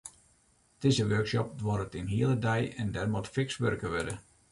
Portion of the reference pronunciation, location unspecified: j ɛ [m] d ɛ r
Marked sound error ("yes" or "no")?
yes